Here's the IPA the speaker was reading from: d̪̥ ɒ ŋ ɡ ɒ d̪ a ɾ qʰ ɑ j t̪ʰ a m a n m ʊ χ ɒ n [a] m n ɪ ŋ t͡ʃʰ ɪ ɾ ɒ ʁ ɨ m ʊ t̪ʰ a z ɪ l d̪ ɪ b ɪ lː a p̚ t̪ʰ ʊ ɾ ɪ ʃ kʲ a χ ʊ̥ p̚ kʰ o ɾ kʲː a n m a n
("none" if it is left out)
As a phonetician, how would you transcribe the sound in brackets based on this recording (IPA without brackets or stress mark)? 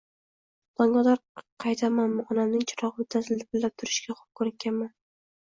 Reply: a